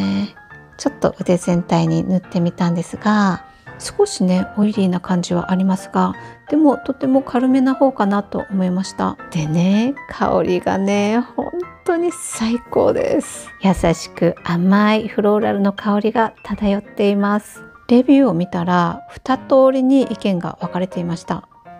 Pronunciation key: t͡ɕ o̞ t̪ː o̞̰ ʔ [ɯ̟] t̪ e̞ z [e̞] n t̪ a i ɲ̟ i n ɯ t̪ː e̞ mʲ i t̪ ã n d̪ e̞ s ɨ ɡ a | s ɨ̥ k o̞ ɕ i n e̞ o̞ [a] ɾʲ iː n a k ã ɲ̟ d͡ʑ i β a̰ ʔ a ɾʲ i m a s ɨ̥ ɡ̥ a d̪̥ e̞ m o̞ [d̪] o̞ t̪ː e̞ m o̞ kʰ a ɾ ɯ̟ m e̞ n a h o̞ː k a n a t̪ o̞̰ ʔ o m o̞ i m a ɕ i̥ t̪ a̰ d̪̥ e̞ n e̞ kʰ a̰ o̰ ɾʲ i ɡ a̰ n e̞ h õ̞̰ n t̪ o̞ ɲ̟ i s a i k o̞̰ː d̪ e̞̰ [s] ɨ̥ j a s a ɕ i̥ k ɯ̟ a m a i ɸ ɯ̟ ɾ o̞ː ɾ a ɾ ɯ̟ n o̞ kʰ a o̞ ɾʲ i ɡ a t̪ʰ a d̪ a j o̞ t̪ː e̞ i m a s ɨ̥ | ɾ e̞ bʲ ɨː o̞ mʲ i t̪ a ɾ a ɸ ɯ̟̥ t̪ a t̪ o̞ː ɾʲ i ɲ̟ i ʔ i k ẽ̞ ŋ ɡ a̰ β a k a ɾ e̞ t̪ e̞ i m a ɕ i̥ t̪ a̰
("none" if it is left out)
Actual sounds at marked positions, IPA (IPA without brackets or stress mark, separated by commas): ɯ̟, ẽ̞, i, t̪, s